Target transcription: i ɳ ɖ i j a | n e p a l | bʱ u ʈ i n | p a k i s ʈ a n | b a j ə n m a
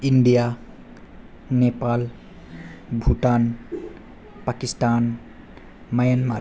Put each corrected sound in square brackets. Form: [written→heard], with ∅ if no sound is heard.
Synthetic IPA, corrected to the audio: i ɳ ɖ i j a | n e p a l | bʱ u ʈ [i→a] n | p a k i s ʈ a n | [b→m] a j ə n m a